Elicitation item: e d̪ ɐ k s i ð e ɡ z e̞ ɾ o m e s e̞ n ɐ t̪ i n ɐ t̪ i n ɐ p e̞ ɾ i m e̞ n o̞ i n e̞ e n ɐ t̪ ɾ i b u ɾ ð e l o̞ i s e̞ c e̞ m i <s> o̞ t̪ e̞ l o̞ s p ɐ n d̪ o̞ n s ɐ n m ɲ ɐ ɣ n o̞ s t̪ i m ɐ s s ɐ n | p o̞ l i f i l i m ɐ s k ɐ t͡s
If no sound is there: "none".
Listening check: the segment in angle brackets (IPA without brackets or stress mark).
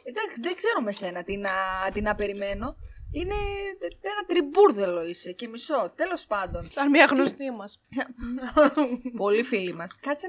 s